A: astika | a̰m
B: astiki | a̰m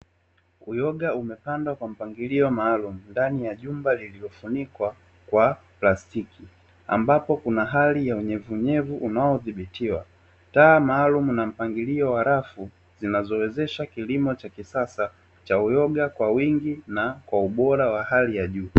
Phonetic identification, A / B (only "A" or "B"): B